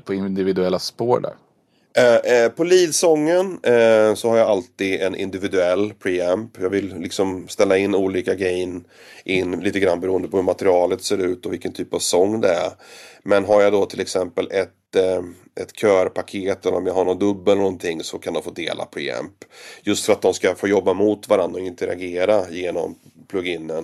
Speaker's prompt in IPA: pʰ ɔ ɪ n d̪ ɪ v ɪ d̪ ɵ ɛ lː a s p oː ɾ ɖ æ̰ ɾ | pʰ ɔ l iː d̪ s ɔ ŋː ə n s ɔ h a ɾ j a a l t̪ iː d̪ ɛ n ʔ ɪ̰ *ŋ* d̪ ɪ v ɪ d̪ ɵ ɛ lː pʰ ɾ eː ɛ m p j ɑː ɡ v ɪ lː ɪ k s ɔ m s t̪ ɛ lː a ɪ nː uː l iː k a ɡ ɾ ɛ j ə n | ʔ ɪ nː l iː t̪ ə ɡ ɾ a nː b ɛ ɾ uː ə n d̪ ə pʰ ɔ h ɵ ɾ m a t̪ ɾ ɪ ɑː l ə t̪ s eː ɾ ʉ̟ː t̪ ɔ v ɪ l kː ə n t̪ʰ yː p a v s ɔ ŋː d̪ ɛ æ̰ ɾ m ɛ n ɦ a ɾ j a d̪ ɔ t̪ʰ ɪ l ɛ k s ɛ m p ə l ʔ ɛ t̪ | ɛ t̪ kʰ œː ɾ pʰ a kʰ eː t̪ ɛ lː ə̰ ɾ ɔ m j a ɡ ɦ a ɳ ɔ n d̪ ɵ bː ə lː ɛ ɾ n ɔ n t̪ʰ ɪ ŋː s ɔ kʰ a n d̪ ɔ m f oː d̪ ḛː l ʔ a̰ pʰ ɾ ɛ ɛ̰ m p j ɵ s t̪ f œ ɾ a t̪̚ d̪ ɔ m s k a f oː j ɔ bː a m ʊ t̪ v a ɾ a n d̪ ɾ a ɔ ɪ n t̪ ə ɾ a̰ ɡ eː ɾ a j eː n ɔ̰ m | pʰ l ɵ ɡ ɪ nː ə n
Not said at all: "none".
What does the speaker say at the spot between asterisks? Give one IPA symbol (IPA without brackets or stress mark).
n